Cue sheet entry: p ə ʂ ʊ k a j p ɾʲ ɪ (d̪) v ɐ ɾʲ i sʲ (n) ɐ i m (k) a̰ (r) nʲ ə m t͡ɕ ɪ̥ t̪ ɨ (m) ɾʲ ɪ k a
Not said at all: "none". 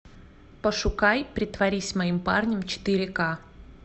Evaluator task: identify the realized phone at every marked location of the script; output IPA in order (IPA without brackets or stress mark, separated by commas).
t̪, m, p, r, none